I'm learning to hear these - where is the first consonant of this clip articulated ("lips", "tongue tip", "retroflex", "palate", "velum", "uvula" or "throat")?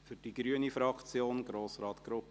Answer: lips